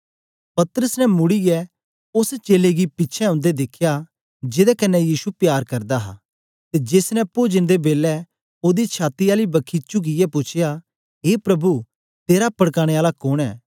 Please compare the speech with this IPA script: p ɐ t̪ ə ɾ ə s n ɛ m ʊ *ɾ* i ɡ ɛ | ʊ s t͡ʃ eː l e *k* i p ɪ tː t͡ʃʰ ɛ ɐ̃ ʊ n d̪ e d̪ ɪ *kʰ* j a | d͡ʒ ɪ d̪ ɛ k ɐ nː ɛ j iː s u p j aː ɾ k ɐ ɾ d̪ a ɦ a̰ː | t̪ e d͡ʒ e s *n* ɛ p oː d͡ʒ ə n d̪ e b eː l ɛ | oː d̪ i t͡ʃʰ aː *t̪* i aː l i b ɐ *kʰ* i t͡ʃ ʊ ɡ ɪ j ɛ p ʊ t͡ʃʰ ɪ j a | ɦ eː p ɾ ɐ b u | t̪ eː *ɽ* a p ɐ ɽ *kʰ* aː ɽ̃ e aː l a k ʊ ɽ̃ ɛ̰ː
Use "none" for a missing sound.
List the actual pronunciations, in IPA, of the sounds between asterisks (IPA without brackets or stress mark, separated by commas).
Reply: ɽ, ɡ, kʰ, n, t̪, kʰ, ɾ, k